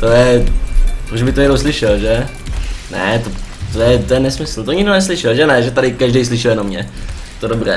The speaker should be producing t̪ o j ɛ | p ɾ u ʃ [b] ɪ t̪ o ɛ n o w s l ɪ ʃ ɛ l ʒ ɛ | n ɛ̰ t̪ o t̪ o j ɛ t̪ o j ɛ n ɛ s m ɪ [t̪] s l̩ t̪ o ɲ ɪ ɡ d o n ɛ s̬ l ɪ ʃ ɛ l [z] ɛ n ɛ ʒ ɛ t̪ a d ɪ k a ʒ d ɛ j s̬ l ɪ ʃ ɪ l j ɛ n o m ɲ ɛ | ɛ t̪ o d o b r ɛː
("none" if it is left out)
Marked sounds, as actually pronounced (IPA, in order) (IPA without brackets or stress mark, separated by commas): b, none, ʒ